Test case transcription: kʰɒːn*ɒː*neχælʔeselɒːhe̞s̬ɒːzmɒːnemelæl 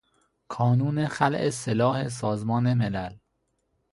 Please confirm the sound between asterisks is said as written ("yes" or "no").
no